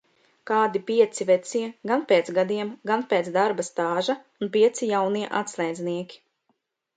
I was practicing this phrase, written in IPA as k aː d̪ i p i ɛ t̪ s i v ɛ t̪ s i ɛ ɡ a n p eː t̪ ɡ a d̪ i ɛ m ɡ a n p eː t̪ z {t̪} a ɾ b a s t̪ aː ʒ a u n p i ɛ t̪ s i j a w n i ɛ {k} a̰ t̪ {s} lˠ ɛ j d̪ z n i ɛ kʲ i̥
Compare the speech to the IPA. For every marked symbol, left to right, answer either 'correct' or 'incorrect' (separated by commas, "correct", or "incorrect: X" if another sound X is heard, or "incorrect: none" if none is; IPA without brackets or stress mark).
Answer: incorrect: d̪, incorrect: ʔ, correct